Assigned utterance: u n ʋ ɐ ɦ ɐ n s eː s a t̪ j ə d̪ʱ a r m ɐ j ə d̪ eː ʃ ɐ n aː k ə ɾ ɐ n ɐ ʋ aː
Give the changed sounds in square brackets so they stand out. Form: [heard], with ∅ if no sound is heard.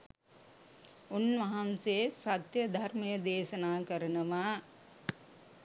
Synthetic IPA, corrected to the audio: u n ʋ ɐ ɦ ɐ n s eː s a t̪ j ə d̪ʱ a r m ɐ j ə d̪ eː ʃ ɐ n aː k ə ɾ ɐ n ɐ ʋ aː